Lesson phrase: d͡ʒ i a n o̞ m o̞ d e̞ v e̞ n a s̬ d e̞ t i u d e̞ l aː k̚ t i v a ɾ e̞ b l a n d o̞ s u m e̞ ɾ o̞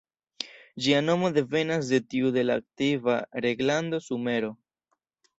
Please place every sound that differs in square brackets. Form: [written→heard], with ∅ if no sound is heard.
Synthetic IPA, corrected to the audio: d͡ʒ i a n o̞ m o̞ d e̞ v e̞ n a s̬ d e̞ t i u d e̞ l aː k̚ t i v a ɾ e̞ [b→ɡ] l a n d o̞ s u m e̞ ɾ o̞